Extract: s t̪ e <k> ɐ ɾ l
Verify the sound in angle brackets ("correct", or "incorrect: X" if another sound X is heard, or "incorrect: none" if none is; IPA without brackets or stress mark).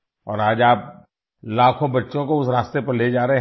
incorrect: p